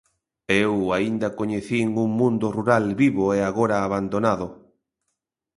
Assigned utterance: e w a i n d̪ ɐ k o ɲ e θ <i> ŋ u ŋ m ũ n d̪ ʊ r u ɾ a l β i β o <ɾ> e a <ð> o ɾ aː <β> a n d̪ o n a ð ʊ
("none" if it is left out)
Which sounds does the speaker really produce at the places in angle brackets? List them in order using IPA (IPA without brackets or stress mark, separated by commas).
i, none, ɣ, β